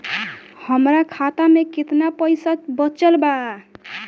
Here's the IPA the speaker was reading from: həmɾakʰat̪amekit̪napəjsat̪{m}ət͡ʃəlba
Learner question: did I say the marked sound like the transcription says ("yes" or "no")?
no